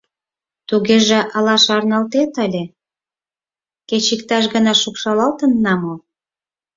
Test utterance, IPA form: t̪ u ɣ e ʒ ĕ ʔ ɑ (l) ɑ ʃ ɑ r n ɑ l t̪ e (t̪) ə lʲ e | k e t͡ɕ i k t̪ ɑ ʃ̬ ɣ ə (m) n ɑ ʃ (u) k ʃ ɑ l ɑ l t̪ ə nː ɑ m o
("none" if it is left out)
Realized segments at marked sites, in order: l, t̪, none, u

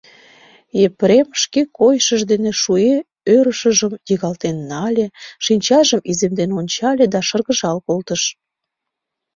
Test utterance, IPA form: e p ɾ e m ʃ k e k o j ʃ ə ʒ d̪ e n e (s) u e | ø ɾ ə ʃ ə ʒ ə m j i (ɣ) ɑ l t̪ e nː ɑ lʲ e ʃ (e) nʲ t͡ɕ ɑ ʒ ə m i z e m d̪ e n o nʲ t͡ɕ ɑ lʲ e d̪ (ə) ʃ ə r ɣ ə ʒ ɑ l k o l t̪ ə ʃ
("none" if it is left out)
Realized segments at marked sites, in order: ʃ, ɣ, i, ɑ

